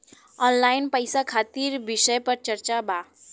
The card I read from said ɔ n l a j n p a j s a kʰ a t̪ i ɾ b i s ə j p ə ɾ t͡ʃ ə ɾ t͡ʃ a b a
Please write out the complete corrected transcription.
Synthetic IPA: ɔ n l a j n p ə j s a kʰ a t̪ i ɾ b i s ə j p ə ɾ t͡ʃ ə ɾ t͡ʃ a b a

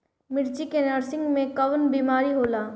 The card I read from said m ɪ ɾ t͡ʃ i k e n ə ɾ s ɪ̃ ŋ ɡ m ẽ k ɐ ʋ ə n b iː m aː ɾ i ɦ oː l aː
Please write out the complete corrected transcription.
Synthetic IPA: m ɪ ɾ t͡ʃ i k e n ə ɾ s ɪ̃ ŋ ɡ m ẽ k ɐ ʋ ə n b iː m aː ɾ i ɦ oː l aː

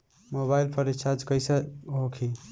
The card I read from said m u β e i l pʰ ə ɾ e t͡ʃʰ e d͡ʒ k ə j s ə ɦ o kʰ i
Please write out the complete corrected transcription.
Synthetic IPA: m o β a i l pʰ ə ɾ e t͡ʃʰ a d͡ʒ k ə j s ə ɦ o kʰ i

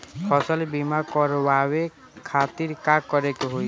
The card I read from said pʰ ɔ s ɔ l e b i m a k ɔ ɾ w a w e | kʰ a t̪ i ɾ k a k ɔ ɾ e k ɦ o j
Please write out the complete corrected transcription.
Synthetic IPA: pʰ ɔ s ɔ l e b i m a k ɔ ɾ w a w e | kʰ a t̪ i ɾ k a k ɔ ɾ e k ɦ o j

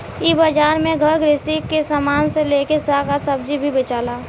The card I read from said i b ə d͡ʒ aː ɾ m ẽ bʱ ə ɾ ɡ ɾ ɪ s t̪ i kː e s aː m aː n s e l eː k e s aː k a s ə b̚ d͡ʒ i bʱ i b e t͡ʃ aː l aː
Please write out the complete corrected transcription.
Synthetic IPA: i b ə d͡ʒ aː ɾ m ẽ ɡʱ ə ɾ ɡ ɾ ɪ s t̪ i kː e s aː m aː n s e l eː k e s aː k a s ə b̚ d͡ʒ i bʱ i b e t͡ʃ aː l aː

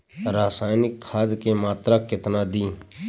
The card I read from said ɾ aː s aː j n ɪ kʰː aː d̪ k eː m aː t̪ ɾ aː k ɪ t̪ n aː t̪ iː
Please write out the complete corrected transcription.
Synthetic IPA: ɾ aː s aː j n ɪ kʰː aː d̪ k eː m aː t̪ ɾ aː k ɪ t̪ n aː d̪ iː

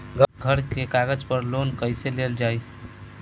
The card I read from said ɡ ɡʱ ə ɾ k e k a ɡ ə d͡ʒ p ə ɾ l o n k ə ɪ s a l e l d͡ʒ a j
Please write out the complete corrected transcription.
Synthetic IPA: ɡ ɡʱ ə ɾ k e k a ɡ ə d͡ʒ p ə ɾ l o n k ə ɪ s e l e l d͡ʒ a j

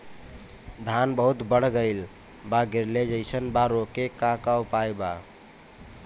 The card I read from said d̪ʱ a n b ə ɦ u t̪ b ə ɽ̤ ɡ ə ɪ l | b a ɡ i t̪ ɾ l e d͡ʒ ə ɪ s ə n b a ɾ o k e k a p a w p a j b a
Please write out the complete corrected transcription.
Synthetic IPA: d̪ʱ a n b ə ɦ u t̪ b ə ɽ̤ ɡ ə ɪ l | b a ɡ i ɾ l e d͡ʒ ə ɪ s ə n b a ɾ o k e k a k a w p a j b a

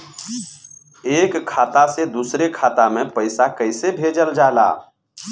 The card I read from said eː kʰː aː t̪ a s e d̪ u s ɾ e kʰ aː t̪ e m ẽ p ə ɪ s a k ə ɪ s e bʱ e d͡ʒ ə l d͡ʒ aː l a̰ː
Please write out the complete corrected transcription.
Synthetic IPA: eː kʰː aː t̪ a s e d̪ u s ɾ e kʰ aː t̪ a m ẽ p ə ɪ s a k ə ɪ s e bʱ e d͡ʒ ə l d͡ʒ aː l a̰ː

